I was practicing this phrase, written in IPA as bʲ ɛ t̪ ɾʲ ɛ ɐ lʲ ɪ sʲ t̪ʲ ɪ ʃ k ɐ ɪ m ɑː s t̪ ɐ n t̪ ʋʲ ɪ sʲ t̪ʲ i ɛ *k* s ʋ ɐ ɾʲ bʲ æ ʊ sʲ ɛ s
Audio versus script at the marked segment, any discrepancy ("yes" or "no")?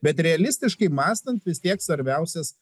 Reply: no